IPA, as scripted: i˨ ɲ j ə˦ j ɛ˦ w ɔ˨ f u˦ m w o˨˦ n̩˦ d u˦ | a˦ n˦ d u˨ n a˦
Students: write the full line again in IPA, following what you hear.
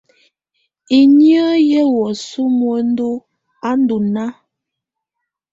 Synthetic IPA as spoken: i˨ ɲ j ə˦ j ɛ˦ w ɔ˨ s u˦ m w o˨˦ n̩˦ d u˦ | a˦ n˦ d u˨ n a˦